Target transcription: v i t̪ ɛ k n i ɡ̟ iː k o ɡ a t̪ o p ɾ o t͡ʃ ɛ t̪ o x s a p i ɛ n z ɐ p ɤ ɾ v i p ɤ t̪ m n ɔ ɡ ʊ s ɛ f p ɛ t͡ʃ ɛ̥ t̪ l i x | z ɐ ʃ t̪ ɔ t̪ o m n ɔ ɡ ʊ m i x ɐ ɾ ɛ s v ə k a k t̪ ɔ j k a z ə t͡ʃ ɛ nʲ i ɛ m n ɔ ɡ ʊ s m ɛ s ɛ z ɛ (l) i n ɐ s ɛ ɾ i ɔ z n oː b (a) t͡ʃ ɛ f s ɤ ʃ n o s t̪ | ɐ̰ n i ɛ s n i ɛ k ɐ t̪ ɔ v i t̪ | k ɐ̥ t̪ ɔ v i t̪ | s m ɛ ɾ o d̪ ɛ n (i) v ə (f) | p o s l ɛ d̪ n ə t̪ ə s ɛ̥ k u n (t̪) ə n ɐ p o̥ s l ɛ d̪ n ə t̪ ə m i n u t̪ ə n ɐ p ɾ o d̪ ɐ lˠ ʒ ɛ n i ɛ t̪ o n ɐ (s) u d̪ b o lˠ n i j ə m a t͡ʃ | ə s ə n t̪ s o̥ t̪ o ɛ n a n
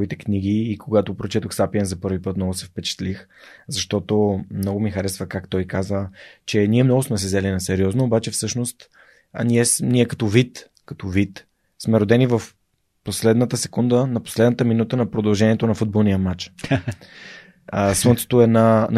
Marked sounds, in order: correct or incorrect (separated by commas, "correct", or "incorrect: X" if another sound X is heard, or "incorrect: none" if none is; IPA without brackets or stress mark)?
correct, correct, correct, correct, incorrect: d̪, incorrect: f